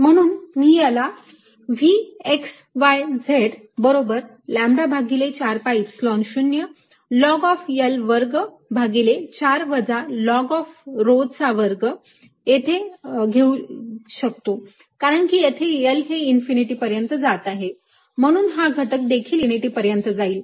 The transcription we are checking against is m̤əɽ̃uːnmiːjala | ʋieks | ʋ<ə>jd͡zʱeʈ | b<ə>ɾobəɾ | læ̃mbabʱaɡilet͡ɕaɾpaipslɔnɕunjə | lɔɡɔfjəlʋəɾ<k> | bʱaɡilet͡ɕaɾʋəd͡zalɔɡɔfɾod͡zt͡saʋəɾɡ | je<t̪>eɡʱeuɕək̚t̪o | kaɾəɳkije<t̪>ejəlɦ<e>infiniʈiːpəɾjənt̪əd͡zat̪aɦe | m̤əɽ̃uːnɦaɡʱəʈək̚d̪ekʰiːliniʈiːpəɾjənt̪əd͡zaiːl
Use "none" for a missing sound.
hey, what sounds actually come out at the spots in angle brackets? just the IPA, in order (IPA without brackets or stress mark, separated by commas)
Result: a, ə, ɡ, t̪ʰ, t̪ʰ, e